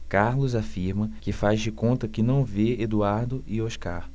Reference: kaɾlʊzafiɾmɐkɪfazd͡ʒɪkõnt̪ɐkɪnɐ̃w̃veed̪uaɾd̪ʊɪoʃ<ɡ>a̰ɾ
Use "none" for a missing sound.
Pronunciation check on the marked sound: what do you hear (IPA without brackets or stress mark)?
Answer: k